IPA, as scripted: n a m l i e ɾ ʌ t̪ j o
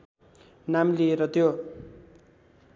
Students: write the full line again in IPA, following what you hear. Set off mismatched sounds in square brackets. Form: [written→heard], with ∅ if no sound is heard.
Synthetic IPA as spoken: n a m l i e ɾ ʌ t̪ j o